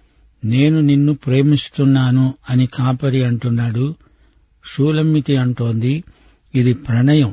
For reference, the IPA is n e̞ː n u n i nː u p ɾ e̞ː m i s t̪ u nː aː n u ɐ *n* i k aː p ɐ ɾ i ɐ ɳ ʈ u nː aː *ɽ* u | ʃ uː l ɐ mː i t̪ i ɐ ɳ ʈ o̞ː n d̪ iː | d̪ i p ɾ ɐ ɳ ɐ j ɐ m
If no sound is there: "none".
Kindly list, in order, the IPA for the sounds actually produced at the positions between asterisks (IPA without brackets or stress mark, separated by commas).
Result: n, ɽ